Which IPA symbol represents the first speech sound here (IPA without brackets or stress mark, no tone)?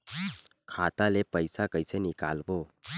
kʰ